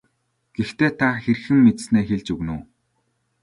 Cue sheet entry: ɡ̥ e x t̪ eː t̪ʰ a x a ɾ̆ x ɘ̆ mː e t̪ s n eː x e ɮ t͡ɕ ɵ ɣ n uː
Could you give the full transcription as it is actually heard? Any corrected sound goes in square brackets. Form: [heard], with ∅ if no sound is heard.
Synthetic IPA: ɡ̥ e x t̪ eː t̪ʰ a x [e] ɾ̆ x ɘ̆ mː e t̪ s n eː x e ɮ t͡ɕ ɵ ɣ n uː

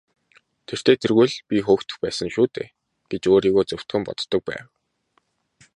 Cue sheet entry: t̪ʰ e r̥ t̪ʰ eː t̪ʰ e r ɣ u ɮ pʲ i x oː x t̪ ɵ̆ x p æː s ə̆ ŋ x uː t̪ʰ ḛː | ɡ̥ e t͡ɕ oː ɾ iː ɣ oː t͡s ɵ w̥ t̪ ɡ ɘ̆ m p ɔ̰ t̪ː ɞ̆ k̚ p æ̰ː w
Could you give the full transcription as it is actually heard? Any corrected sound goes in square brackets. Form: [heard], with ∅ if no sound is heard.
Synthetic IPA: t̪ʰ e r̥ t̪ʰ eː t̪ʰ e r ɣ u ɮ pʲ i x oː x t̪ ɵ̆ x p æː s ə̆ ŋ [ʃ] uː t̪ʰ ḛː | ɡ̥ e t͡ɕ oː ɾ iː ɣ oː t͡s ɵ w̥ t̪ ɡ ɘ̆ m p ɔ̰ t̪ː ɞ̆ k̚ p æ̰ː w

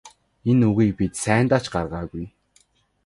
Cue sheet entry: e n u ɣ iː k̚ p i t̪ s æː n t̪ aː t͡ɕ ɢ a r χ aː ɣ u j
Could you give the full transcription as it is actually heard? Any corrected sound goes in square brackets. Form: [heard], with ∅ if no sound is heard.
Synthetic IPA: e n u ɣ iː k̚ p i t̪ s æː n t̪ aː t͡ɕ ɢ a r [ʁ] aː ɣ u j

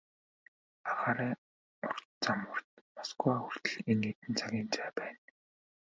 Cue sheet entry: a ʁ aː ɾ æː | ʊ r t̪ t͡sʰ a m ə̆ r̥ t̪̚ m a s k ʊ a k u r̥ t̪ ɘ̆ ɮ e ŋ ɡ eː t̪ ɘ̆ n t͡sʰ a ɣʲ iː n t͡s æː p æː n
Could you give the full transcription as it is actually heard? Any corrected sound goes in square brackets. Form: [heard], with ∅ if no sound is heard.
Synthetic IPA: a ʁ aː ɾ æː | ʊ r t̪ [t͡s] a m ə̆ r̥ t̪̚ m a s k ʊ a [x] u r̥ t̪ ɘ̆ ɮ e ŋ ɡ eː t̪ ɘ̆ n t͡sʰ a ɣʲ iː n t͡s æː p æː n

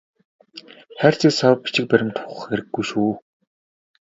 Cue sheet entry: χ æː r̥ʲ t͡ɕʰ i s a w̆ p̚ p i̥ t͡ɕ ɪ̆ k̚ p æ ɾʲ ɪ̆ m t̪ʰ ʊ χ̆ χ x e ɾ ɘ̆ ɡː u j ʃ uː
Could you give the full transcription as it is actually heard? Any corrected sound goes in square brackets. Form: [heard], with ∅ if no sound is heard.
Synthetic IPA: χ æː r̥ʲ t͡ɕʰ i s a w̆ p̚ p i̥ t͡ɕ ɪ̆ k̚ p æ ɾʲ ɪ̆ m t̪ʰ ʊ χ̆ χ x e ɾ ɘ̆ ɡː u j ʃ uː

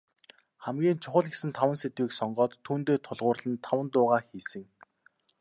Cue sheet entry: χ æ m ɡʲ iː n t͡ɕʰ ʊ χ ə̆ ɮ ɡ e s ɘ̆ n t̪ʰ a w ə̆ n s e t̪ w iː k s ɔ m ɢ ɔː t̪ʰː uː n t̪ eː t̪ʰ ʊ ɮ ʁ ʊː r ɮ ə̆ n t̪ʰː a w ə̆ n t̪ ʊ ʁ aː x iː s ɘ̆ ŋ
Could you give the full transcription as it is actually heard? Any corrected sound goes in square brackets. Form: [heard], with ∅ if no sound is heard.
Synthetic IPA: χ æ m ɡʲ iː n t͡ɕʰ ʊ χ ə̆ ɮ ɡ e s ɘ̆ n t̪ʰ a w ə̆ n s e t̪ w iː k s ɔ [ɴ] ɢ ɔː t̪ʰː uː n t̪ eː t̪ʰ ʊ ɮ ʁ ʊː r ɮ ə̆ n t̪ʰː a w ə̆ n t̪ [ʊː] ʁ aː x iː s ɘ̆ ŋ

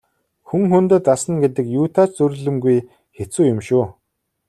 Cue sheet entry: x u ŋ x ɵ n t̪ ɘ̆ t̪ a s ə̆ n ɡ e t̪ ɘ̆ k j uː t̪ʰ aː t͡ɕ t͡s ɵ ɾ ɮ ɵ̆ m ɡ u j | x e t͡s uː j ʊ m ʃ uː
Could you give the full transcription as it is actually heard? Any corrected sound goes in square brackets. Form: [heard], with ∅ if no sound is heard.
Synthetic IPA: x u ŋ x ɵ n t̪ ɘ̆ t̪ a s ə̆ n ɡ e t̪ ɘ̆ k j uː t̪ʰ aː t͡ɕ t͡s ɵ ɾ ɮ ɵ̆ m ɡ u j | x e t͡s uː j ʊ m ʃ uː

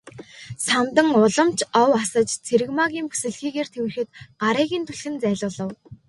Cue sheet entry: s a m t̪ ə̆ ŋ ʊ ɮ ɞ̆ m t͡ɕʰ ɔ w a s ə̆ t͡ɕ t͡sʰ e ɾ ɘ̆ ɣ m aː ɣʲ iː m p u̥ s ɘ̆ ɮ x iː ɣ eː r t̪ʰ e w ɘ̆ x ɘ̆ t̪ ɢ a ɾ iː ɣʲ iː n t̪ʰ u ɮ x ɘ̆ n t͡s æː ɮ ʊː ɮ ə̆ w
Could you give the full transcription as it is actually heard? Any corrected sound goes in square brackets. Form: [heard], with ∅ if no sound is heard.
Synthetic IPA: s a m t̪ ə̆ ŋ ʊ ɮ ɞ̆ m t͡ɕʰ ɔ w a s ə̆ t͡ɕ t͡sʰ e ɾ ɘ̆ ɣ m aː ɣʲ iː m p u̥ s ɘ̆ ɮ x iː ɣ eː r t̪ʰ e w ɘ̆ x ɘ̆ t̪ ɢ a ɾ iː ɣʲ iː n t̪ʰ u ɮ x ɘ̆ n t͡s æː ɮ ʊː ɮ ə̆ w

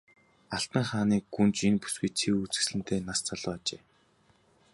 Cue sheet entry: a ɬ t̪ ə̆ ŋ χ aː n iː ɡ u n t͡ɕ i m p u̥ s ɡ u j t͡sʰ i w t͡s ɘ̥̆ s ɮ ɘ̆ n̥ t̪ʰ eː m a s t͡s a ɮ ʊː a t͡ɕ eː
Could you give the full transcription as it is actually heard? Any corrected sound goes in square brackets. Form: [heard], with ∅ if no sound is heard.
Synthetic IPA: a ɬ t̪ ə̆ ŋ χ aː n iː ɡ u n t͡ɕ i [n] p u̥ s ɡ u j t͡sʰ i [u] t͡s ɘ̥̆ s ɮ ɘ̆ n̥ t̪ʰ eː [n] a s t͡s a ɮ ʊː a t͡ɕ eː

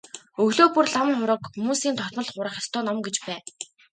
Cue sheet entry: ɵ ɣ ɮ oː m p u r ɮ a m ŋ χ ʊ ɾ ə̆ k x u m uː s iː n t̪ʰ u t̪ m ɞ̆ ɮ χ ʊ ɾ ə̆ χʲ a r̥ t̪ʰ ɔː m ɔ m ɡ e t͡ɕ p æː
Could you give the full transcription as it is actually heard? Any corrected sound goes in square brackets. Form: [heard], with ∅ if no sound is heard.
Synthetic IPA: ɵ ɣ ɮ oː [∅] p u r ɮ a m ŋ χ ʊ ɾ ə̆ k x u m uː s iː n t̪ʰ [ɔ] t̪ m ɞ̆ ɮ χ ʊ ɾ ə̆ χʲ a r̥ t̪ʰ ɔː [n] ɔ m ɡ e t͡ɕ p æː

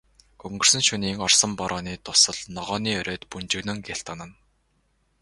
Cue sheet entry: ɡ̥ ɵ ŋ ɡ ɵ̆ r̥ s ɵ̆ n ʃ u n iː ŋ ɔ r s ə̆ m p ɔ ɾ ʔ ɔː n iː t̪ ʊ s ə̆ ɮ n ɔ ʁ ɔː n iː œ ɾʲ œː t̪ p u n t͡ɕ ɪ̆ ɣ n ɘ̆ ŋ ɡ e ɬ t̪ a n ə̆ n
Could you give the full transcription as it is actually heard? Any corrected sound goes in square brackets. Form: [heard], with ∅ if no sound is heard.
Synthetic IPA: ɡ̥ ɵ ŋ ɡ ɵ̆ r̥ s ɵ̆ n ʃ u n iː ŋ ɔ r s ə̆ m p ɔ ɾ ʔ ɔː n iː t̪ ʊ s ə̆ ɮ n ɔ ʁ ɔː n iː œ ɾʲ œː t̪ p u n t͡ɕ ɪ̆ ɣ n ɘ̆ ŋ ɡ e ɬ t̪ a n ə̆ n

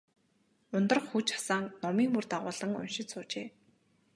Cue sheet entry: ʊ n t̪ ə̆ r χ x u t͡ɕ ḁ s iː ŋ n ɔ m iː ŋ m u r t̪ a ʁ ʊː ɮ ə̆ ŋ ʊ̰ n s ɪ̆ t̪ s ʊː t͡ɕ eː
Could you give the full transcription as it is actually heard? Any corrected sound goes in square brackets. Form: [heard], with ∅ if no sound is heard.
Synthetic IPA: ʊ n t̪ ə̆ r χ x u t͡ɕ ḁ s [aː] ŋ n ɔ m iː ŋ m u r t̪ a ʁ ʊː ɮ ə̆ ŋ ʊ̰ n [ʃ] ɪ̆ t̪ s ʊː t͡ɕ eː

